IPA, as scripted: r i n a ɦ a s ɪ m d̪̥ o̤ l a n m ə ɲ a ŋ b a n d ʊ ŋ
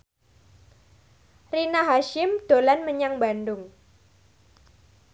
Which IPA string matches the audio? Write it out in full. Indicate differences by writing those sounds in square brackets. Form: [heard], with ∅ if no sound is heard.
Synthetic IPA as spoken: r i n a ɦ a [ʃ] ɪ m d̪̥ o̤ l a n m ə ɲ a ŋ b a n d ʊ ŋ